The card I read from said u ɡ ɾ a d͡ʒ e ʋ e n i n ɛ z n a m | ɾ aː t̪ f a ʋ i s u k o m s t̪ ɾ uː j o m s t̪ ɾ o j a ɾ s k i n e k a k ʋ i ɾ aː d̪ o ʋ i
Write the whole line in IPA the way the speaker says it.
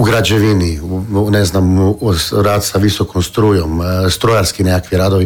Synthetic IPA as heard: u ɡ ɾ a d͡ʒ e ʋ i n i n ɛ z n a m | ɾ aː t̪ s a ʋ i s o k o m s t̪ ɾ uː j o m s t̪ ɾ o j a ɾ s k i n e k a k ʋ i ɾ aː d̪ o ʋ i